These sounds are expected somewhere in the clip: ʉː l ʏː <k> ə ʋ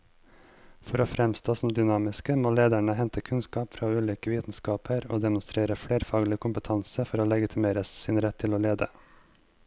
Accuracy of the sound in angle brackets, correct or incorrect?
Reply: correct